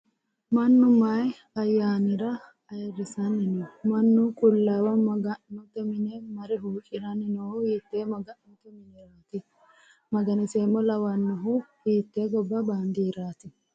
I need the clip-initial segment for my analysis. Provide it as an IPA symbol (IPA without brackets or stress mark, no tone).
m